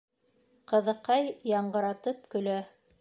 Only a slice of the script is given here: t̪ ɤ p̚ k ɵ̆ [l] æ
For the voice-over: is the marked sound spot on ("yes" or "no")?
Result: yes